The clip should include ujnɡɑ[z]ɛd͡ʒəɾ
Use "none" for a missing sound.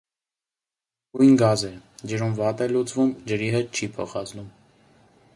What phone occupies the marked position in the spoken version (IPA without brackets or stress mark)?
z